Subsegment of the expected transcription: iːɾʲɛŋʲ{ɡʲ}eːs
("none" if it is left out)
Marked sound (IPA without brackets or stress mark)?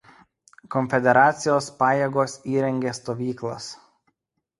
ɡʲ